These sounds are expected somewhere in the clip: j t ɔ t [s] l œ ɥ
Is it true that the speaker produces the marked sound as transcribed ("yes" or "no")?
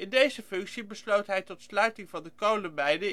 yes